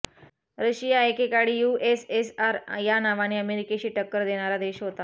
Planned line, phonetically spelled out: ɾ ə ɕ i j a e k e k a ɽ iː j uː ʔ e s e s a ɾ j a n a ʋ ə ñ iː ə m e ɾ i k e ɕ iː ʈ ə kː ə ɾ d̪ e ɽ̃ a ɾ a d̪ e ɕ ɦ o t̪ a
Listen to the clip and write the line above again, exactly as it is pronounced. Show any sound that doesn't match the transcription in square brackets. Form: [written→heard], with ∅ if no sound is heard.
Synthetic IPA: ɾ ə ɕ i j a e k e k a ɽ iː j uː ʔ e s e s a ɾ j a n a ʋ [ə→a] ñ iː ə m e ɾ i k e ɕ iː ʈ ə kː ə ɾ d̪ e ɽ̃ a ɾ a d̪ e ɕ ɦ o t̪ a